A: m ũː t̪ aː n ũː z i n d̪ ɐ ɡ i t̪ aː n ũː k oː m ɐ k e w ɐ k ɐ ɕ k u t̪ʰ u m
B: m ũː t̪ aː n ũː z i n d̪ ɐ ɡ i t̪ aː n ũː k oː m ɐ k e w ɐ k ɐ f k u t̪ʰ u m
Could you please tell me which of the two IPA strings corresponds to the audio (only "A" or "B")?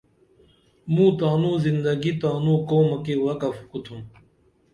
B